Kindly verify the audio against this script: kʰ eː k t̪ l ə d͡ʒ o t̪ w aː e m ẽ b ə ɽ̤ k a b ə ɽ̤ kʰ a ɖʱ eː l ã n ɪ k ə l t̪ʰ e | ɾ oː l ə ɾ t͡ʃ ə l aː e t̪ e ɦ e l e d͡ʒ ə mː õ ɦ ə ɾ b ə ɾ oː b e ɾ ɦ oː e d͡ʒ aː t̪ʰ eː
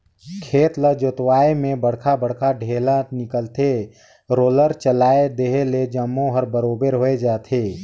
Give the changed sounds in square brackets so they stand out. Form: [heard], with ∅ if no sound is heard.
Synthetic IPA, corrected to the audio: kʰ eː [∅] t̪ l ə d͡ʒ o t̪ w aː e m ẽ b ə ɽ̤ [kʰ] a b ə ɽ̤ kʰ a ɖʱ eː l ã n ɪ k ə l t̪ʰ e | ɾ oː l ə ɾ t͡ʃ ə l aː e [d̪] e ɦ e l e d͡ʒ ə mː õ ɦ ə ɾ b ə ɾ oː b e ɾ ɦ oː e d͡ʒ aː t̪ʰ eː

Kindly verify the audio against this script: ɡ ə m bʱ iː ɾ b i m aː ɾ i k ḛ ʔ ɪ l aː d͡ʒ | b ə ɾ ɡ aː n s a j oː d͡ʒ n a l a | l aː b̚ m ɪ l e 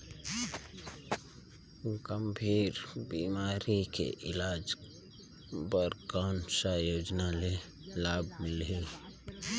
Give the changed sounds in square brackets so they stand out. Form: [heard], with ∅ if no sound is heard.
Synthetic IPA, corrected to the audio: ɡ ə m bʱ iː ɾ b i m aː ɾ i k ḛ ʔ ɪ l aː d͡ʒ | b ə ɾ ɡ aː n s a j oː d͡ʒ n a l [e] | l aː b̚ m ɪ l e

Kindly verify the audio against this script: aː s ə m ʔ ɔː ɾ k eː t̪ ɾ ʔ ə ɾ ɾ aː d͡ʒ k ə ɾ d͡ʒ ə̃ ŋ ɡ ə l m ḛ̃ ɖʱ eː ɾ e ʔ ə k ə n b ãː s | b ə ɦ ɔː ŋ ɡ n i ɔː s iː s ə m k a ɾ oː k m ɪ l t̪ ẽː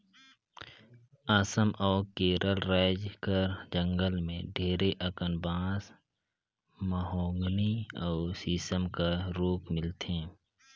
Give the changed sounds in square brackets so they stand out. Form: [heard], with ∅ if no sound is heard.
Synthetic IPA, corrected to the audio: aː s ə m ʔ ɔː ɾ k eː [∅] ɾ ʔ ə [l] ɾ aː d͡ʒ k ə ɾ d͡ʒ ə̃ ŋ ɡ ə l m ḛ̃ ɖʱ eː ɾ e ʔ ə k ə n b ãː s | [m] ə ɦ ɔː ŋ ɡ n i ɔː s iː s ə m k a ɾ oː k m ɪ l t̪ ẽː

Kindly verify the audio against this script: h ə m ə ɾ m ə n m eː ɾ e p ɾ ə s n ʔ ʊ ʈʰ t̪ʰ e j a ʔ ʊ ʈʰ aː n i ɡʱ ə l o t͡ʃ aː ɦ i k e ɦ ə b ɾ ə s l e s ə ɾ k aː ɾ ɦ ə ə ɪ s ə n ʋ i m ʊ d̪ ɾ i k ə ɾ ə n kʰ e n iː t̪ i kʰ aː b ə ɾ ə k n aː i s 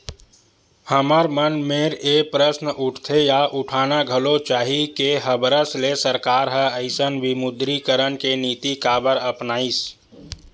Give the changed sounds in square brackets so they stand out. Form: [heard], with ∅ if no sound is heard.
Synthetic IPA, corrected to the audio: h ə m ə ɾ m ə n m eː ɾ e p ɾ ə s n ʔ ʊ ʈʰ t̪ʰ e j a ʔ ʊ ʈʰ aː n [a] ɡʱ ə l o t͡ʃ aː ɦ i k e ɦ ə b ɾ ə s l e s ə ɾ k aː ɾ ɦ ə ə ɪ s ə n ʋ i m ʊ d̪ ɾ i k ə ɾ ə n [k] e n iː t̪ i [k] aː b ə ɾ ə [p] n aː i s

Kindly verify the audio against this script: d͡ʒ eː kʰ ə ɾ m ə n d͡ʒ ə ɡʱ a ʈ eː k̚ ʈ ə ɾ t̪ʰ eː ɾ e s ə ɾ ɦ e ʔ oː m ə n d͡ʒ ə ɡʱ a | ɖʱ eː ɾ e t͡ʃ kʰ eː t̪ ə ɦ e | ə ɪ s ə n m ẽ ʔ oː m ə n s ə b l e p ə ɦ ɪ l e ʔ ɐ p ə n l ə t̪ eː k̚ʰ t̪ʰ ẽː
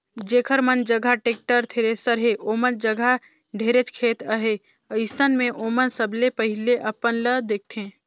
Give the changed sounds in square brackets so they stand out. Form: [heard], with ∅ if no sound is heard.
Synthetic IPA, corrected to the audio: d͡ʒ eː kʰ ə ɾ m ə n d͡ʒ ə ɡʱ a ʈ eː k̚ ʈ ə ɾ t̪ʰ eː ɾ e s ə ɾ ɦ e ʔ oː m ə n d͡ʒ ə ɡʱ a | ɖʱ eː ɾ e t͡ʃ kʰ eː t̪ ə ɦ e | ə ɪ s ə n m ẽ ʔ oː m ə n s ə b l e p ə ɦ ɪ l e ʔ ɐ p ə n l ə [d̪] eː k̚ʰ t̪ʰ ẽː

